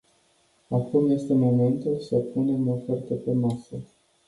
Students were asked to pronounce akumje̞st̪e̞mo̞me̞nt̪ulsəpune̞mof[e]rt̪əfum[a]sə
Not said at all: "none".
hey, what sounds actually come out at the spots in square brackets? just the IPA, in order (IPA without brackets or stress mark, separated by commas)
e, a